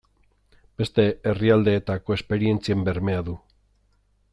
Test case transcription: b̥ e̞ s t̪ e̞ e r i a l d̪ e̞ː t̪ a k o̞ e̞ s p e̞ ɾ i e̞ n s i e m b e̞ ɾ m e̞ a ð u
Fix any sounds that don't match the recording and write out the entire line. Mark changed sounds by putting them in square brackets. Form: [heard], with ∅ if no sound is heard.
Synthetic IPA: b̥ e̞ s t̪ e̞ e r i a l d̪ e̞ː t̪ a k o̞ e̞ s p e̞ ɾ i e̞ n [t͡s] i e m b e̞ ɾ m e̞ a ð u

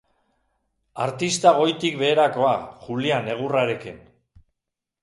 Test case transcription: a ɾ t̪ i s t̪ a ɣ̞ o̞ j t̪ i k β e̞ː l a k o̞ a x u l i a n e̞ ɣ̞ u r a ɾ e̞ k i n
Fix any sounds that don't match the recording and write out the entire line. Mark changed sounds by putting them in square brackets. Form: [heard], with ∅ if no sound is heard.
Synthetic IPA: a ɾ t̪ i s t̪ a ɣ̞ o̞ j t̪ i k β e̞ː [ɾ] a k o̞ a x u l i a n e̞ ɣ̞ u r a ɾ e̞ k i n

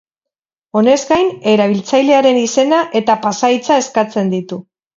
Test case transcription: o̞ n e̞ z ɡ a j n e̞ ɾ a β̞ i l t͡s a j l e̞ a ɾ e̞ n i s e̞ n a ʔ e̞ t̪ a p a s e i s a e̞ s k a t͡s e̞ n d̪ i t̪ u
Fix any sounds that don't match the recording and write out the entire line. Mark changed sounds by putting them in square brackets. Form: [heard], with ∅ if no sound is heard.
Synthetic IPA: o̞ n e̞ z ɡ a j n e̞ ɾ a β̞ i l t͡s a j l e̞ a ɾ e̞ n i s e̞ n a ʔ e̞ t̪ a p a s [a] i [t͡s] a e̞ s k a t͡s e̞ n d̪ i t̪ u

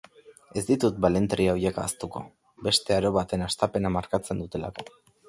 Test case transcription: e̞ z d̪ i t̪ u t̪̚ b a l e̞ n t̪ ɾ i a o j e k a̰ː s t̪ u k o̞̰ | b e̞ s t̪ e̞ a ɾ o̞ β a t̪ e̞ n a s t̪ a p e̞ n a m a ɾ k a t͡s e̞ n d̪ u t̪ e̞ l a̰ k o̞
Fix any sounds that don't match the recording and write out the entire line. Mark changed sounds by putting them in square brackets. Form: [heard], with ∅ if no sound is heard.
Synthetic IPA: e̞ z d̪ i t̪ u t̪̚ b a l e̞ n t̪ ɾ i a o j e k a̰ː s t̪ u k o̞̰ | b e̞ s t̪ e̞ a ɾ o̞ β a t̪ e̞ n a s t̪ a p e̞ n a m a ɾ k a t͡s e̞ n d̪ u t̪ e̞ l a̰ k o̞

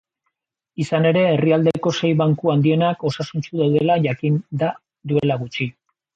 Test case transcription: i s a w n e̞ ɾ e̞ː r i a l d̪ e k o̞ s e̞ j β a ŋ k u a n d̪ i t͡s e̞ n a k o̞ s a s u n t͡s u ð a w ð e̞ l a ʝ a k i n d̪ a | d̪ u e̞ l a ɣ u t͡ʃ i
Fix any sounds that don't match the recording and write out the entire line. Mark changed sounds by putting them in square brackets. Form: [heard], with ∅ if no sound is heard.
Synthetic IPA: i s a [∅] n e̞ ɾ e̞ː r i a l d̪ e k o̞ s e̞ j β a ŋ k u a n d̪ i [∅] e̞ n a k o̞ s a s u n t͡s u ð a w ð e̞ l a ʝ a k i n d̪ a | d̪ u e̞ l a ɣ u t͡ʃ i

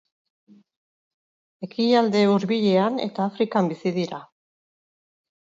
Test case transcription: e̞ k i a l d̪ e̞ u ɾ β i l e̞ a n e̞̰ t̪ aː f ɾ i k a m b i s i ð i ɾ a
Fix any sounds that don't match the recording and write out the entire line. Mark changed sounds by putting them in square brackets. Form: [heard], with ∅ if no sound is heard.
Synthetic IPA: e̞ k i a l d̪ e̞ u ɾ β i [ʎ] e̞ a n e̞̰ t̪ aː f ɾ i k a m b i s i ð i ɾ a

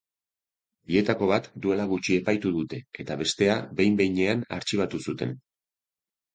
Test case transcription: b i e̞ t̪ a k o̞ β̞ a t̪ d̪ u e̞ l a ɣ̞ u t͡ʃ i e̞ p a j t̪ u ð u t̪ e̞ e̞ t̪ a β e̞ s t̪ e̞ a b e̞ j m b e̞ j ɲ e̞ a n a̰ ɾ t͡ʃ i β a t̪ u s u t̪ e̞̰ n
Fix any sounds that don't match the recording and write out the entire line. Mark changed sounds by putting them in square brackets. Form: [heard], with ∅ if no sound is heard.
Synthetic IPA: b i e̞ t̪ a k o̞ β̞ a t̪ d̪ u e̞ l a ɣ̞ u t͡ʃ i e̞ p a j t̪ u ð u t̪ e̞ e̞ t̪ a β e̞ s t̪ e̞ a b e̞ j m b e̞ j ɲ e̞ a n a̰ ɾ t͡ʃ i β a t̪ u s u t̪ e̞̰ n

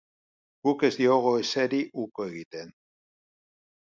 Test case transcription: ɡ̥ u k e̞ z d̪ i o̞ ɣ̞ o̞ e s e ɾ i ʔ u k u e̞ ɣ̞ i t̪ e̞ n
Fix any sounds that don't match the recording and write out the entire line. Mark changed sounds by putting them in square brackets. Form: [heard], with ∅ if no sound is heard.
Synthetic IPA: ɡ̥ u k e̞ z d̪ i o̞ ɣ̞ o̞ e s e ɾ i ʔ u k [o] e̞ ɣ̞ i t̪ e̞ n

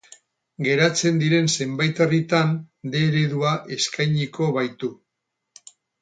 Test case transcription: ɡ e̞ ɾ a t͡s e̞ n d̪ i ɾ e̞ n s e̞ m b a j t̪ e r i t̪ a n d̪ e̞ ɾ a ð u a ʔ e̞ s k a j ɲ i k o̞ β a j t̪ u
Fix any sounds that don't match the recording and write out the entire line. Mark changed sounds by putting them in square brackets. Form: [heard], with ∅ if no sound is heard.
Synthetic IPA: ɡ e̞ ɾ a t͡s e̞ n d̪ i ɾ e̞ n s e̞ m b a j t̪ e r i t̪ a n d̪ e̞ ɾ [e] ð u a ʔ e̞ s k a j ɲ i k o̞ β a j t̪ u

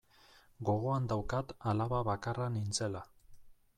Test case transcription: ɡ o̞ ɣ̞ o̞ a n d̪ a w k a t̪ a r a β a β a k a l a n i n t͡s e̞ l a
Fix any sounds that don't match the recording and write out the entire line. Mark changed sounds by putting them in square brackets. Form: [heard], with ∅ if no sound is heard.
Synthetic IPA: ɡ o̞ ɣ̞ o̞ a n d̪ a w k a t̪ a [l] a β a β a k a [r] a n i n t͡s e̞ l a

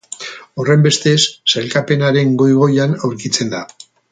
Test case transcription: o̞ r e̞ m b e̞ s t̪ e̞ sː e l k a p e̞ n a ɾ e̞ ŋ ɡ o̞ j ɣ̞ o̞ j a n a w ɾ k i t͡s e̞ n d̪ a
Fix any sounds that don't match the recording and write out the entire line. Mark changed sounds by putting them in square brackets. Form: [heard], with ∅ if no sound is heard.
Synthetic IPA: o̞ r e̞ m b e̞ s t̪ e̞ sː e l k a p e̞ n a ɾ e̞ ŋ ɡ o̞ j ɣ̞ o̞ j a n a w ɾ k i t͡s e̞ n d̪ a

